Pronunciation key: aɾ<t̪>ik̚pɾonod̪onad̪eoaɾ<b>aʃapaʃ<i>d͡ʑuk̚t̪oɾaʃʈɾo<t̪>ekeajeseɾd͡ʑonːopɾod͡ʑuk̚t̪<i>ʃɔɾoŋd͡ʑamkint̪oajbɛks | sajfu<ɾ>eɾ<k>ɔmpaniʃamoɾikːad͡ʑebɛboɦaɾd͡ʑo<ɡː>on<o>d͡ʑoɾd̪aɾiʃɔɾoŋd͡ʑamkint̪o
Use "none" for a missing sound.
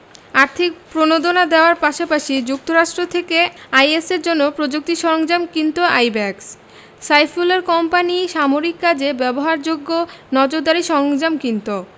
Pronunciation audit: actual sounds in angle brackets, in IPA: t̪ʰ, p, i, t̪ʰ, i, l, k, ɡː, ɔ

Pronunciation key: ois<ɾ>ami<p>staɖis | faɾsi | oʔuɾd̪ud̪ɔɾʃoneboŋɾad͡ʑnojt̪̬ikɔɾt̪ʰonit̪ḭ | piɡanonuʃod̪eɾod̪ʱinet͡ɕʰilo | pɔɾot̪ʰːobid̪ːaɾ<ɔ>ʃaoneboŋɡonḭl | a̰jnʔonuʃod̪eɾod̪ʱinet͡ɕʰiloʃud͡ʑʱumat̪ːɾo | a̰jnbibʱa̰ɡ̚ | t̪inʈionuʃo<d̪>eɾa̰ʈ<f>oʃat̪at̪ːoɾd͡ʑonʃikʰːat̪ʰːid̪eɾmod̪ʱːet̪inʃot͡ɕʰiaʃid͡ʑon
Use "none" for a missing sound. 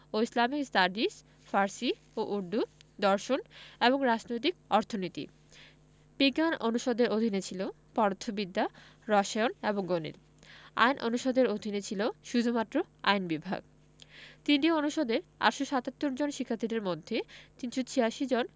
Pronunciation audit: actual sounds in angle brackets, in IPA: l, k, ɔ, d̪, ʃ

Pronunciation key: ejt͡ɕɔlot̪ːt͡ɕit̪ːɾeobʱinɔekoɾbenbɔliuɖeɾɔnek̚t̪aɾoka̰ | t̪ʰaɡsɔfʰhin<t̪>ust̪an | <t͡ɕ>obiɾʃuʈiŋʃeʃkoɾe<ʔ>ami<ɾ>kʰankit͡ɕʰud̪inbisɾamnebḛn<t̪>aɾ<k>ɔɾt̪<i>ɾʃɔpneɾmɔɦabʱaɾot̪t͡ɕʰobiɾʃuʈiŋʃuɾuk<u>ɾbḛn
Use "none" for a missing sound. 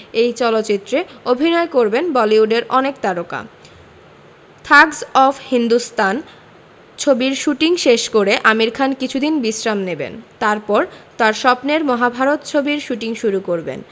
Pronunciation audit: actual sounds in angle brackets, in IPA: d̪, t͡ɕʰ, ʔ, ɾ, t̪, p, a, o

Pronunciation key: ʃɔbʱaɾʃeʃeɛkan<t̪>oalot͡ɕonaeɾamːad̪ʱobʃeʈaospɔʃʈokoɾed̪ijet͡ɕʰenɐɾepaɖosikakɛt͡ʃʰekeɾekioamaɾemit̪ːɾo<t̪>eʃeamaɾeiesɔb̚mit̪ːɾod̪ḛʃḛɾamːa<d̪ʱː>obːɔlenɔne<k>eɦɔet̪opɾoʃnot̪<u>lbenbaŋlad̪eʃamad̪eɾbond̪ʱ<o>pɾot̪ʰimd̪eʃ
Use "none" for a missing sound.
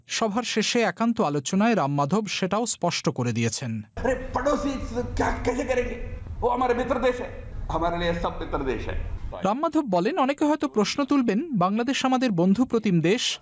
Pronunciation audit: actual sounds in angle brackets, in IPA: t̪, d̪, d̪ʱ, k, u, u

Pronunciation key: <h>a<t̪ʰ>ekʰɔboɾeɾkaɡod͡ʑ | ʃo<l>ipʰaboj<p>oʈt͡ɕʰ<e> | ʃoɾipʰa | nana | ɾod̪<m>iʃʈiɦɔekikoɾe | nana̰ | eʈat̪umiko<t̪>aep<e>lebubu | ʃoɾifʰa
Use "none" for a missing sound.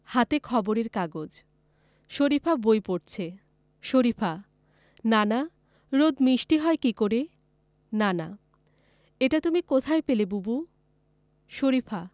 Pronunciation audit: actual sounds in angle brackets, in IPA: h, t̪, ɾ, p, e, m, t̪ʰ, e

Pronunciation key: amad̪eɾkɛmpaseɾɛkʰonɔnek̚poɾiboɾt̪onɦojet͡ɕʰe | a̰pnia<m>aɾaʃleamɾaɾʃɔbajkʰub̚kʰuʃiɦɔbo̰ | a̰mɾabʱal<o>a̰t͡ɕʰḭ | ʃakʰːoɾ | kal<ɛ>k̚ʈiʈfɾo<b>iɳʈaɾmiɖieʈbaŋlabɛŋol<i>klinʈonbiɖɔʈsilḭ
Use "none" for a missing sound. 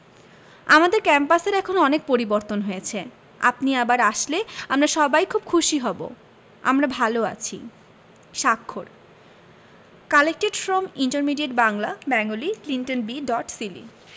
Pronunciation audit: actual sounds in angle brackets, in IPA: b, o, e, m, i

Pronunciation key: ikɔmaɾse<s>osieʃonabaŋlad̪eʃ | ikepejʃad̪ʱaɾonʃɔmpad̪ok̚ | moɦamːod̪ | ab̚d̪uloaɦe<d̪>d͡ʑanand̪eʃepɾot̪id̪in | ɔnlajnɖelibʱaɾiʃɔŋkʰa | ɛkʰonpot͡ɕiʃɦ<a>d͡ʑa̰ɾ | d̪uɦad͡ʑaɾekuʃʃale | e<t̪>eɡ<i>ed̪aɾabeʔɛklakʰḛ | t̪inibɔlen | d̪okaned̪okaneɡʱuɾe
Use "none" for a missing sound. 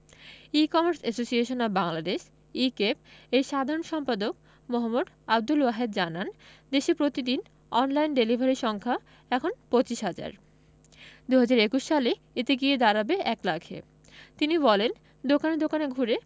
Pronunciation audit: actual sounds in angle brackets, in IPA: s, d̪, a, t̪, i

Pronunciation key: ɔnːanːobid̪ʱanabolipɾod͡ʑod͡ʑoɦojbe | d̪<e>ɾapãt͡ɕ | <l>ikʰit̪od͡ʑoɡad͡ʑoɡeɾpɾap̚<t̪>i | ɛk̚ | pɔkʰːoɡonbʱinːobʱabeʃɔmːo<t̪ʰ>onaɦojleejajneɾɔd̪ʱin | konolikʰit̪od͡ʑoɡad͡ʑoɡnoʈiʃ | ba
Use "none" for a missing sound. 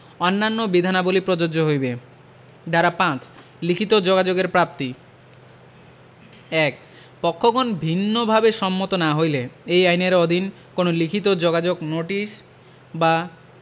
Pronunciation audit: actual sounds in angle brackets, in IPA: a, l, t̪, t̪

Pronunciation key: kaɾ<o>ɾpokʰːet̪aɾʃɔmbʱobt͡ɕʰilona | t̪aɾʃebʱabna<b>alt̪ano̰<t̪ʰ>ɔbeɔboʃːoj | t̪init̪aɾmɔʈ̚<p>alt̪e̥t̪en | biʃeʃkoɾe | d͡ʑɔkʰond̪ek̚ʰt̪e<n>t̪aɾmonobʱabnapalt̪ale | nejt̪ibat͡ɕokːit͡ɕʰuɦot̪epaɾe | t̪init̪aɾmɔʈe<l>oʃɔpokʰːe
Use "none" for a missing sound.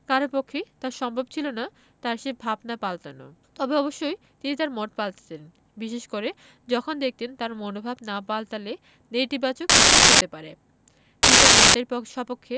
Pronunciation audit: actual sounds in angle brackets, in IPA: o, p, t̪, p, n, ɾ

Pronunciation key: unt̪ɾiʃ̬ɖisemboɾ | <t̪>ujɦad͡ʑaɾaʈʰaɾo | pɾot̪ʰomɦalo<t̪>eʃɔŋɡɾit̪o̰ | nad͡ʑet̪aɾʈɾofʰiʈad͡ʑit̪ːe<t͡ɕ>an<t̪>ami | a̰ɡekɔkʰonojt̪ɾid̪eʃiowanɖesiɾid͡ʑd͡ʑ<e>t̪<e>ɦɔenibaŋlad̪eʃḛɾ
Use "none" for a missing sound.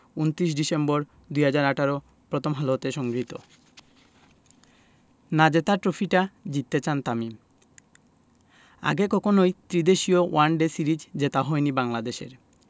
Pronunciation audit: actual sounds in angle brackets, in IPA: d̪, t̪, t͡ɕ, t̪, e, a

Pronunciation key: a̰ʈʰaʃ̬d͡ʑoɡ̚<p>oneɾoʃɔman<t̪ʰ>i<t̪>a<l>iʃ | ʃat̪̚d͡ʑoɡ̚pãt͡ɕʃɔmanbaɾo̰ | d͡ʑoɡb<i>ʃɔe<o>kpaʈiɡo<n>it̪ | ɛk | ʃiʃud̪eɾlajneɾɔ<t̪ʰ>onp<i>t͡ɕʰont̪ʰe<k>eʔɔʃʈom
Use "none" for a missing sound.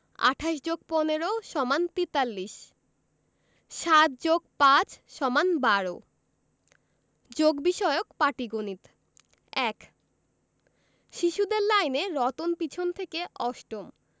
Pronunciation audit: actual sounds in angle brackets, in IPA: p, t̪, t̪, lː, i, o, n, t̪, i, k

